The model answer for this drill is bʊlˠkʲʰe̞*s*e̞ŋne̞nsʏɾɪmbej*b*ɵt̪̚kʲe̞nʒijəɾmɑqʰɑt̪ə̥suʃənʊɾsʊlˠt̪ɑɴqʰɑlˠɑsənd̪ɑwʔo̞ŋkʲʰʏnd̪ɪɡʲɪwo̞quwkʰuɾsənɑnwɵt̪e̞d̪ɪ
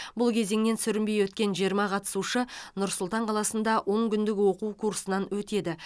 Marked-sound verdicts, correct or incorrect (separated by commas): incorrect, incorrect